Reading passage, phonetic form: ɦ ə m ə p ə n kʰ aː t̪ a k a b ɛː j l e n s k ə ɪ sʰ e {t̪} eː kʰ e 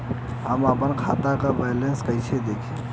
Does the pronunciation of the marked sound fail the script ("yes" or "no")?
yes